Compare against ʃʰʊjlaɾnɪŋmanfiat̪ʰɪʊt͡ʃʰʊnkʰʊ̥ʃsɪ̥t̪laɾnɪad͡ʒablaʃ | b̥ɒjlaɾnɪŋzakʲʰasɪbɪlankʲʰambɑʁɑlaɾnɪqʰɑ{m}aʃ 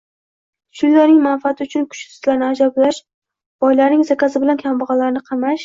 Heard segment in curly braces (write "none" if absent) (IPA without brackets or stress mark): m